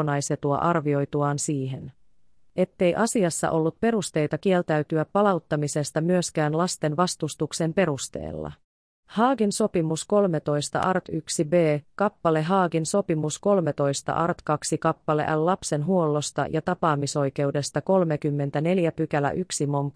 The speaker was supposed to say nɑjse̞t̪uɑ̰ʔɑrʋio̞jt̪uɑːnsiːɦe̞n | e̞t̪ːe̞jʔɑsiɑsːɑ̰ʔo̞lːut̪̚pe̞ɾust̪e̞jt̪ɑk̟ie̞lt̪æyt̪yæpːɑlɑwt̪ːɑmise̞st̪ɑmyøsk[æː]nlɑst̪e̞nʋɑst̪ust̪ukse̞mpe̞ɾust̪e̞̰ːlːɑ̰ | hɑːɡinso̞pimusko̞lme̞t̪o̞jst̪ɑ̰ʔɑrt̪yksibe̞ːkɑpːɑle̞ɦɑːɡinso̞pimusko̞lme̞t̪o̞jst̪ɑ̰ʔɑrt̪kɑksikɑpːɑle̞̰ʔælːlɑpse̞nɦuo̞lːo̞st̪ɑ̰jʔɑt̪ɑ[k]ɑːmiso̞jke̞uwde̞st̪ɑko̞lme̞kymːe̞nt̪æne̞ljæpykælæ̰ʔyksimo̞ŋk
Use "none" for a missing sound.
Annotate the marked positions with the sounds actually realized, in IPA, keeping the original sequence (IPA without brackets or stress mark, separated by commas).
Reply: æː, p